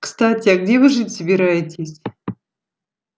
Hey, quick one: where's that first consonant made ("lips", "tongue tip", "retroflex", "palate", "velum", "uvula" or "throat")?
velum